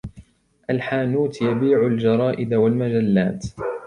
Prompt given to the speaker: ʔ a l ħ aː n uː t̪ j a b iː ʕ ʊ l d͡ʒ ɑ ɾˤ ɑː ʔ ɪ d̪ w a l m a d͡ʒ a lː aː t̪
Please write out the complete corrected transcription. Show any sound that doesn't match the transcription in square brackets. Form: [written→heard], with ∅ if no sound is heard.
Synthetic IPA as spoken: ʔ a l ħ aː n uː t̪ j a b iː ʕ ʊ l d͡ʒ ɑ ɾˤ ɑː ʔ ɪ d̪ w a l m a d͡ʒ a lː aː t̪